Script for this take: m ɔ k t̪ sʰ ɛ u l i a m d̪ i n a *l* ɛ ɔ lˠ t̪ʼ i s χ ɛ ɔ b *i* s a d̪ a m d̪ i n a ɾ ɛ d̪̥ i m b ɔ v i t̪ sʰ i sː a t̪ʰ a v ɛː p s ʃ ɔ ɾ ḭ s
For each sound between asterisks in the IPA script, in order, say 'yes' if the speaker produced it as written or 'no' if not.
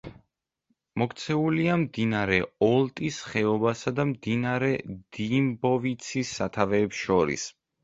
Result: no, no

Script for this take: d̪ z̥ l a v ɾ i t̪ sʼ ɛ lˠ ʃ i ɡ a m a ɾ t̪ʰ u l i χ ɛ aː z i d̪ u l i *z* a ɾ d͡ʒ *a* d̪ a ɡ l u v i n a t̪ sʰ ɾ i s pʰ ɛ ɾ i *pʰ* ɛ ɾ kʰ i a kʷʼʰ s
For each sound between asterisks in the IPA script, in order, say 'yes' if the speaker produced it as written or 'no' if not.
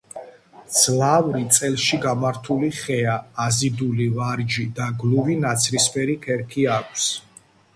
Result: no, no, no

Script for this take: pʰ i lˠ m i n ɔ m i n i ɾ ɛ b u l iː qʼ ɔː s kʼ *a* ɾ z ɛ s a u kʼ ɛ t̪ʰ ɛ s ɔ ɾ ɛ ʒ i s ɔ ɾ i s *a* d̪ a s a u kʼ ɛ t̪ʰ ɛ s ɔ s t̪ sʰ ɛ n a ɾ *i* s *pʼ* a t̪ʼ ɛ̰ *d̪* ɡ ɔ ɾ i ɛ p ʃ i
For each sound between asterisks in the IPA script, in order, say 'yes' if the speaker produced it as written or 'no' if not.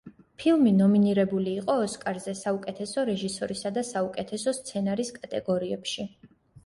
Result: yes, yes, yes, no, no

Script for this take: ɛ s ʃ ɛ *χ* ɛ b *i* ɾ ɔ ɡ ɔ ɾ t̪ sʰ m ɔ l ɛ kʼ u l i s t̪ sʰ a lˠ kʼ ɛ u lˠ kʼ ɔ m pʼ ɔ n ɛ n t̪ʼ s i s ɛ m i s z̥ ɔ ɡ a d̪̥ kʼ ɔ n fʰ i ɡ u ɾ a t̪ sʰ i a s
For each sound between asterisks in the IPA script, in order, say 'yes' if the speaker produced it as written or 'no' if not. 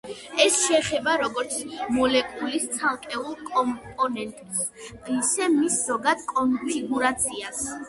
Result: yes, no

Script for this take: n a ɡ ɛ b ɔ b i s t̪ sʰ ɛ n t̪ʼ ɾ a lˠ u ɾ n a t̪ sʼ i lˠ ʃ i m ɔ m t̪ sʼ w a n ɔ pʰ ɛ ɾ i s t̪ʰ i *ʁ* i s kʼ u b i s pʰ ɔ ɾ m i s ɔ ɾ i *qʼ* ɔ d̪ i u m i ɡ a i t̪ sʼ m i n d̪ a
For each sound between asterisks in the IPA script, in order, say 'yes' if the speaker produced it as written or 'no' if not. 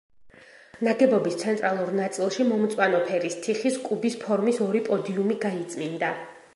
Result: no, no

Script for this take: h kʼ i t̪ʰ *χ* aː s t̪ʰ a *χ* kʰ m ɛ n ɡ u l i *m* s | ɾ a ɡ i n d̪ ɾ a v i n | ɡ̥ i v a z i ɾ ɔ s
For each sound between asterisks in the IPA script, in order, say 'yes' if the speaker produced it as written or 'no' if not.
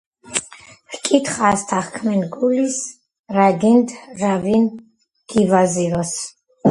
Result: yes, yes, no

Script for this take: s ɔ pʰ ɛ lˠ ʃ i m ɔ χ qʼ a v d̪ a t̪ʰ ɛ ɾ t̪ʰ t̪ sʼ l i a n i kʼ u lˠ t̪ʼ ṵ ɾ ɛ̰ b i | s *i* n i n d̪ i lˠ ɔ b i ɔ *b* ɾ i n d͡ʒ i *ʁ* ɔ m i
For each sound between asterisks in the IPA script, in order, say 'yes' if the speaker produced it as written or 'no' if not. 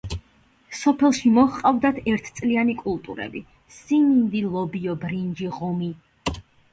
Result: yes, yes, yes

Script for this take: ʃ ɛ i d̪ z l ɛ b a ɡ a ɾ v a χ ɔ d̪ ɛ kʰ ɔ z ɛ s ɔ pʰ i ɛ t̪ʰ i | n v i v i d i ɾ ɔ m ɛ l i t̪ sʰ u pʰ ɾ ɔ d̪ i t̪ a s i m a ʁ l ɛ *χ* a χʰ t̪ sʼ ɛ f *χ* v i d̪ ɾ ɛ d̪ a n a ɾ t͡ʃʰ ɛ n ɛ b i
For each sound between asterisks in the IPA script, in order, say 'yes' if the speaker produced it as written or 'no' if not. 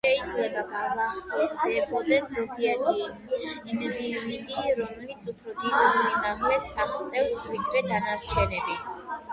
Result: no, no

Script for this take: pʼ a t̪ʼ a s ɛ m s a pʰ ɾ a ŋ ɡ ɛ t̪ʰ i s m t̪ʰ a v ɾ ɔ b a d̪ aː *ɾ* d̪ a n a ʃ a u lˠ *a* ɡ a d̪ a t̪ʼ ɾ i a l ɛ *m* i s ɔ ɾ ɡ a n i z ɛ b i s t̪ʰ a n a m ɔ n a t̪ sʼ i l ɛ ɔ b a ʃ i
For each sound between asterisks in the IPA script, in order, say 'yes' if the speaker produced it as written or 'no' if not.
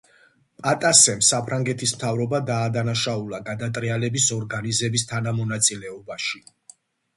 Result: no, yes, no

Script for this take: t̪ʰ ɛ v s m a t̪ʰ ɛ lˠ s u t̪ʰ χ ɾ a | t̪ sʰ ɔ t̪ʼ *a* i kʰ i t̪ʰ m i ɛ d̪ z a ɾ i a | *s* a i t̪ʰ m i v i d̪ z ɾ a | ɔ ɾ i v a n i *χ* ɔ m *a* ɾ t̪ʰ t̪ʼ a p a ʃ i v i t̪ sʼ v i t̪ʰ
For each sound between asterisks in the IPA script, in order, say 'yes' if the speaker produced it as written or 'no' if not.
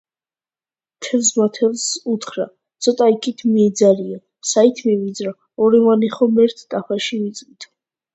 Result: yes, yes, yes, no

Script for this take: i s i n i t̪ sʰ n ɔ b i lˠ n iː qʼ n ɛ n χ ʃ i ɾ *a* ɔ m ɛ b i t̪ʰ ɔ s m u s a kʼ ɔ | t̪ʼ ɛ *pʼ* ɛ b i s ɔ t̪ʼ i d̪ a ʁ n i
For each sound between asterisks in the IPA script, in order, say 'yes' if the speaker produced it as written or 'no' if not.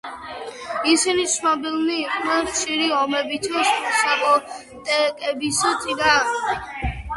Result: no, no

